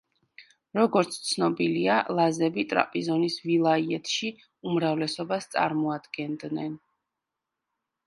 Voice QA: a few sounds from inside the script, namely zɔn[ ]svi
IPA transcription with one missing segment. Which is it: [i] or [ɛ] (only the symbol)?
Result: i